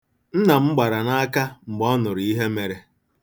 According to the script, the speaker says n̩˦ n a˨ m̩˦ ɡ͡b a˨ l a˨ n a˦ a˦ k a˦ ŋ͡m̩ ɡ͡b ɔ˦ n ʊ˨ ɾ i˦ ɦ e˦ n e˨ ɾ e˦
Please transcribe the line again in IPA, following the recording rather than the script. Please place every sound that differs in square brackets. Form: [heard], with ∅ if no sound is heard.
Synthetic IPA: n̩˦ n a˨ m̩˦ ɡ͡b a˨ [ɾ] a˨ n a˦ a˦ k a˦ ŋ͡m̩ ɡ͡b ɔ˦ n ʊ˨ ɾ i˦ ɦ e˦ [m] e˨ ɾ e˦